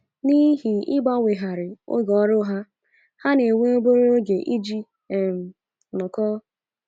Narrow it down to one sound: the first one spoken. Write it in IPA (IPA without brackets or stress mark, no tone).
n